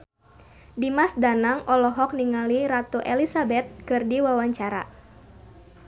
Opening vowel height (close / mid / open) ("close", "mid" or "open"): close